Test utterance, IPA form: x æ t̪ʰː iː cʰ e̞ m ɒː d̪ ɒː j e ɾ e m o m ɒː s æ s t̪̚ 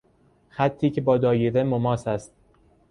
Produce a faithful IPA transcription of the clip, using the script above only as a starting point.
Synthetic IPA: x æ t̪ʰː iː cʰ e̞ b ɒː d̪ ɒː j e ɾ e m o m ɒː s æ s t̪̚